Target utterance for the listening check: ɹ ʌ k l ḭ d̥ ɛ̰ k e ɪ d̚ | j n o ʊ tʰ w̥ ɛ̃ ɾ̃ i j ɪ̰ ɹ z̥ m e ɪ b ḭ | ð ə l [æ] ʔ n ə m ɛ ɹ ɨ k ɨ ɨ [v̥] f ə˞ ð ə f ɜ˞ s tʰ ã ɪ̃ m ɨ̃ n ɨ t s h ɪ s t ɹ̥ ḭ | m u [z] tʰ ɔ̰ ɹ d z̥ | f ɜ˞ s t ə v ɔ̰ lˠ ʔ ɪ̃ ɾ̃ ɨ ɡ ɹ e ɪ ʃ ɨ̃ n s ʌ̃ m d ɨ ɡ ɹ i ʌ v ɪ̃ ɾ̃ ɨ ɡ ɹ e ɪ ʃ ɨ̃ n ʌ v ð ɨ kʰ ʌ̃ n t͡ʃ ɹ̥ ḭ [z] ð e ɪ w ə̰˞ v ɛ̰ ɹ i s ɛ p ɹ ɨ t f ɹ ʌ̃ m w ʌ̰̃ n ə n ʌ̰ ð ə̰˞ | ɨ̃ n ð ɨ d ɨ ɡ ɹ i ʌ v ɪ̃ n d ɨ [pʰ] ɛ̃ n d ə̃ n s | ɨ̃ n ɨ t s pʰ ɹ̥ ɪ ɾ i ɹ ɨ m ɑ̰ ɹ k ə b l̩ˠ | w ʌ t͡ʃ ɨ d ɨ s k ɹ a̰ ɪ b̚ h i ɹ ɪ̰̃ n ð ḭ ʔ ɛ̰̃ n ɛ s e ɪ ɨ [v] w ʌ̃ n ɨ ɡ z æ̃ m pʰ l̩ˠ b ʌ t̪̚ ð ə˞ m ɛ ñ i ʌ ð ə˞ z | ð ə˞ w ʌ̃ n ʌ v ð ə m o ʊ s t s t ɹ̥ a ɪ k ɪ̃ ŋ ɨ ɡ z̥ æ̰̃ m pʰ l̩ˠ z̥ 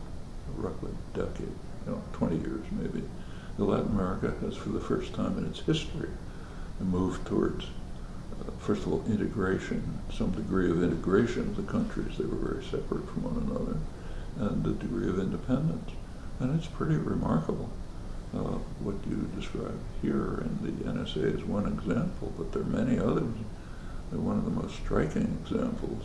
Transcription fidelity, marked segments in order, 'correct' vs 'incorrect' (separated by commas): correct, incorrect, incorrect, correct, correct, incorrect